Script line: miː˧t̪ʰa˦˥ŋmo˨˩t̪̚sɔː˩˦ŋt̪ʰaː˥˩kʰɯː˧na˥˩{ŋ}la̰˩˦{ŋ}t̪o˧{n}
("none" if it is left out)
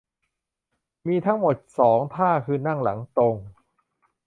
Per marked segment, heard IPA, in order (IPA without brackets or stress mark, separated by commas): ŋ, ŋ, ŋ